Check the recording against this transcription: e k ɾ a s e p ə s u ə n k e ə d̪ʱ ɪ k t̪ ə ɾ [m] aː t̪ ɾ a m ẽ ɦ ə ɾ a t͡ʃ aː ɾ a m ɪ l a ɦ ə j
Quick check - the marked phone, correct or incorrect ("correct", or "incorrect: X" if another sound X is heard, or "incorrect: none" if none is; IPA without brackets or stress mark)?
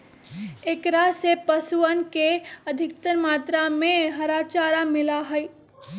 correct